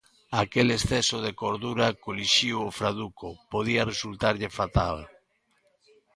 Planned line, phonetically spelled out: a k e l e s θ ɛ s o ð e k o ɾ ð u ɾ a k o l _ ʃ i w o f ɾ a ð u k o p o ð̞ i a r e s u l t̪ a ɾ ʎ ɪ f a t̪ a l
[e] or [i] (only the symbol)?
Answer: i